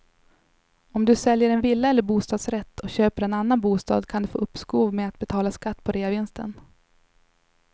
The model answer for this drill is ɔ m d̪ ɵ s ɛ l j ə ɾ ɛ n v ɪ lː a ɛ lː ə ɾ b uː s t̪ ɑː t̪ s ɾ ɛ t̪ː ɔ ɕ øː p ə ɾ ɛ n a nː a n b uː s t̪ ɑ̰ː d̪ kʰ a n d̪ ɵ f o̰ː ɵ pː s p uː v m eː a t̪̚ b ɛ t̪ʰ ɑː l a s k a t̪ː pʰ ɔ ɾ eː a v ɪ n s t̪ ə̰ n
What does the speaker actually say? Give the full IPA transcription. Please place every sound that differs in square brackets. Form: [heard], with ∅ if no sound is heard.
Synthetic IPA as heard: ɔ m d̪ ɵ s ɛ l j ə ɾ ɛ n v ɪ lː a ɛ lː ə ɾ b uː s t̪ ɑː [d̪] s ɾ ɛ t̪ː ɔ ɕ øː p ə ɾ ɛ n a nː a n b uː s t̪ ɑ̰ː d̪ kʰ a n d̪ ɵ f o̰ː ɵ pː s [k] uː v m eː a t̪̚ b ɛ t̪ʰ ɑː l a s k a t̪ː pʰ ɔ ɾ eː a v ɪ n s t̪ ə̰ n